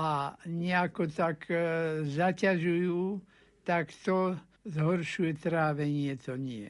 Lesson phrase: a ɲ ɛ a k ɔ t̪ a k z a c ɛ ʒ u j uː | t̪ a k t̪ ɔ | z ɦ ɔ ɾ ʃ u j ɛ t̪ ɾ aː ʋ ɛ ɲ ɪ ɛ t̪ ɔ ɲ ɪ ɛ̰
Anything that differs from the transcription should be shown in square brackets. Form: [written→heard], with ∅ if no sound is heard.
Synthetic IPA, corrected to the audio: a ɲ ɛ a k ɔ t̪ a k z a c [ɛ→a] ʒ u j uː | t̪ a k t̪ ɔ | z ɦ ɔ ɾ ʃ u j ɛ t̪ ɾ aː ʋ ɛ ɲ ɪ ɛ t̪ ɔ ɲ ɪ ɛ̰